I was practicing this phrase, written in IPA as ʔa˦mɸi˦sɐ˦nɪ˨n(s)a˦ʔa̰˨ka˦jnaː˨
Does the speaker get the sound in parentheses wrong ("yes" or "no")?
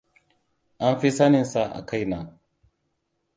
no